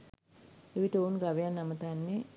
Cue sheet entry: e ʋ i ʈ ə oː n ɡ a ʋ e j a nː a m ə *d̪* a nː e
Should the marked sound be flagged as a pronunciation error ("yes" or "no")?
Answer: yes